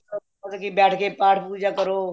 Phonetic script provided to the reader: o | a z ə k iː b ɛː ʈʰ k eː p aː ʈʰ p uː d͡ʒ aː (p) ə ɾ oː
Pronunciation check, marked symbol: incorrect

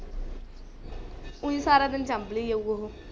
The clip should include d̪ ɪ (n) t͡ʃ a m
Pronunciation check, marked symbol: correct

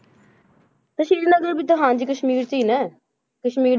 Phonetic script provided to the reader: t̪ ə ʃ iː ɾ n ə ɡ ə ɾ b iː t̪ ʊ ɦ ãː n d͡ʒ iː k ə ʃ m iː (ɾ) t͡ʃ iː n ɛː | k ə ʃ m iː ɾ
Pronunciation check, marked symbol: correct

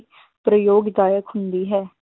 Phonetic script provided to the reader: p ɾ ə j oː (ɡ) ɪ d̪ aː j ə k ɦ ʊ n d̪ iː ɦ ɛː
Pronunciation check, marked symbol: correct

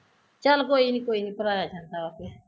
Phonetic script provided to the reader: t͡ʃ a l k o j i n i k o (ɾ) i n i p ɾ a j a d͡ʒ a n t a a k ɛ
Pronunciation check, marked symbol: incorrect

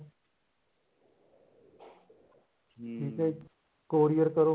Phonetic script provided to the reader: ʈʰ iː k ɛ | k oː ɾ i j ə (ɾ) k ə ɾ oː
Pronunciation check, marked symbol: correct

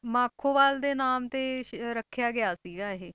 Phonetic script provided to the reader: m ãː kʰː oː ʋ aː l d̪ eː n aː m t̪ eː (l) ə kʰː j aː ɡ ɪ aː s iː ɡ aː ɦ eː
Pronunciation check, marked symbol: incorrect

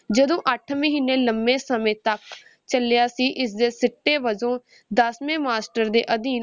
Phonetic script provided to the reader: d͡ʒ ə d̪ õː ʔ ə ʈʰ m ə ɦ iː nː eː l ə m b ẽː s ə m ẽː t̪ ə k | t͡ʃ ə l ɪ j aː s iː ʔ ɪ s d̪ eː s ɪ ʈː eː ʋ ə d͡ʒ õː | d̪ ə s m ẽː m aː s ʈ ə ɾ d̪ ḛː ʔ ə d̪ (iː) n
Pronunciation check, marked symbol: correct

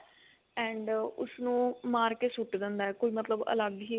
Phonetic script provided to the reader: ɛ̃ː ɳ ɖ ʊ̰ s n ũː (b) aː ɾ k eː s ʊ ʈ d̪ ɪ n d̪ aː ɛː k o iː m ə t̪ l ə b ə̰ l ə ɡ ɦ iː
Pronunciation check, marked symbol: incorrect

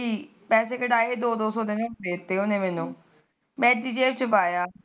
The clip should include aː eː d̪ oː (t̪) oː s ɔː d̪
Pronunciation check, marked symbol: incorrect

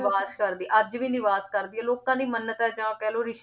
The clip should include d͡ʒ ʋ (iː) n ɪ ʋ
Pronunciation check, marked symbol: correct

